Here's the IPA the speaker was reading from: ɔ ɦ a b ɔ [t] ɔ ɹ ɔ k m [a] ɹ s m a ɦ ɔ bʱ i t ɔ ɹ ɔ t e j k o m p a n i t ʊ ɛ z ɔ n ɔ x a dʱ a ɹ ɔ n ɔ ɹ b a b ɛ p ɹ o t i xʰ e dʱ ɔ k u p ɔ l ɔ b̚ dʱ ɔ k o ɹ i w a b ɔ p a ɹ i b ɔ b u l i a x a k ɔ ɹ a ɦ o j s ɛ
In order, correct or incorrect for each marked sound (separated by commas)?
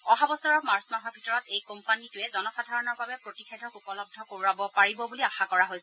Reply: incorrect, correct